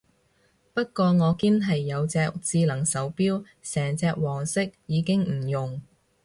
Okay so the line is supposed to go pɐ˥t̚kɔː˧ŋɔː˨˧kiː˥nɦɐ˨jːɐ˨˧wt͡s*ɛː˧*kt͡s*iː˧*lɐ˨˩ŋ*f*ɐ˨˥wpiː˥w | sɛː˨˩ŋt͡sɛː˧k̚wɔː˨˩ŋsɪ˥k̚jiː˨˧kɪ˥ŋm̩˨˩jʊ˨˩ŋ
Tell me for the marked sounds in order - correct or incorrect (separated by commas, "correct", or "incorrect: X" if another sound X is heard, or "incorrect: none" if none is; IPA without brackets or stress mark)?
correct, correct, incorrect: s